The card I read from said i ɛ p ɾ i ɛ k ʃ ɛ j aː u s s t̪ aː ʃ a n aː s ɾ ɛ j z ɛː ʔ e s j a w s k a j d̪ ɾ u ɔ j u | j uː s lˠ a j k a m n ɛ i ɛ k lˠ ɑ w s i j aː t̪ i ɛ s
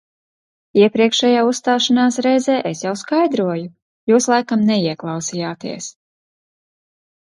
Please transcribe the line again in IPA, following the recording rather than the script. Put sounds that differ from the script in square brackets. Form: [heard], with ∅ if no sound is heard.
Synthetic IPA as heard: i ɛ p ɾ i ɛ k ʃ ɛ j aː u s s t̪ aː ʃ a n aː s ɾ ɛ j z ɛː ʔ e s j a w s k a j d̪ ɾ u ɔ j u | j uː s lˠ a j k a m n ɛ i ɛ k lˠ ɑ w s i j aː t̪ i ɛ s